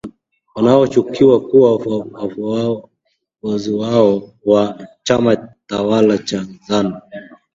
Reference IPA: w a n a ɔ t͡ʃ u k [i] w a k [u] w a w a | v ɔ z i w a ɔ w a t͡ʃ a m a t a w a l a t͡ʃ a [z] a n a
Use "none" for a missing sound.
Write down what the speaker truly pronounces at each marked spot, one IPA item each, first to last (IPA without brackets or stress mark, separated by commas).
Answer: i, u, z